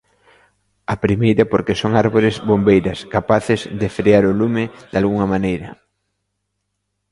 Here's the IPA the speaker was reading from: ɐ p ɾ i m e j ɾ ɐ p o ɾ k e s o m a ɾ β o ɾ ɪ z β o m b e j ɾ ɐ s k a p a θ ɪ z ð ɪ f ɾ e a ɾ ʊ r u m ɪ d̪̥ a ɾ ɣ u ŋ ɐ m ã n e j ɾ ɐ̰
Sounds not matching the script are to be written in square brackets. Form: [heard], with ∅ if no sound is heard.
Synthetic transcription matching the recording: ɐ p ɾ i m e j ɾ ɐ p o ɾ k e s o [ŋ] a ɾ β o ɾ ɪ z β o m b e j ɾ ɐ s k a p a θ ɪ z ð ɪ f ɾ e a ɾ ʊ [l] u m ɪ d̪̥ a [l] ɣ u ŋ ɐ m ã n e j ɾ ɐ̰